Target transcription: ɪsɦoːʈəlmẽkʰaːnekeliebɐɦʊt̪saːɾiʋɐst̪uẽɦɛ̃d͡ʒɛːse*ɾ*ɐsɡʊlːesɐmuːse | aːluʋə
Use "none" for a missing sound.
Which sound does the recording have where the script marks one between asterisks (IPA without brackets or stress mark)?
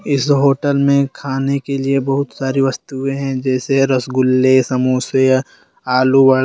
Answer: ɾ